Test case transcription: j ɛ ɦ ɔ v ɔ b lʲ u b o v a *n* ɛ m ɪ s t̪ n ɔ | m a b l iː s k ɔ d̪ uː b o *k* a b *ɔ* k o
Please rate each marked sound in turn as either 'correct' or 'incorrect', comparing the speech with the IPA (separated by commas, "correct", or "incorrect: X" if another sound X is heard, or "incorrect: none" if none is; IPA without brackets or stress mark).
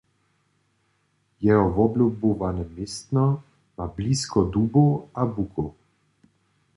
correct, incorrect: none, incorrect: u